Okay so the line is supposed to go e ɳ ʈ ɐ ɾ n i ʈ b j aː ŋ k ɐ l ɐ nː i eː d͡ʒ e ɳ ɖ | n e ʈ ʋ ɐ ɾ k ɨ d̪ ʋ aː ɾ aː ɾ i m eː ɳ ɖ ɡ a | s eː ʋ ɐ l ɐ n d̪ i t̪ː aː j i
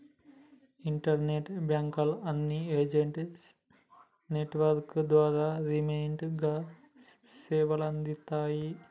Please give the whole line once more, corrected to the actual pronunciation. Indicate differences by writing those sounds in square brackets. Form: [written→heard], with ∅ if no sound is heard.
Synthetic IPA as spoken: [e→i] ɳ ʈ ɐ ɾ n [i→e] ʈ b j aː ŋ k ɐ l ɐ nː i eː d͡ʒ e ɳ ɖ | n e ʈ ʋ ɐ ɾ k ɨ d̪ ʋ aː ɾ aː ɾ i m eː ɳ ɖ ɡ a | s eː ʋ ɐ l ɐ n d̪ i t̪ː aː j i